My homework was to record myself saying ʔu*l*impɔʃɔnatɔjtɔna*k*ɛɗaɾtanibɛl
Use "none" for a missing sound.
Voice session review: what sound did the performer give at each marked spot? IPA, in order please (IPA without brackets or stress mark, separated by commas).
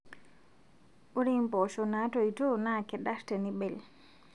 ɾ, k